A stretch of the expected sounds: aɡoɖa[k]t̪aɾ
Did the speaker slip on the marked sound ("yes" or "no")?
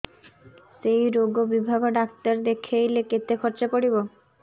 no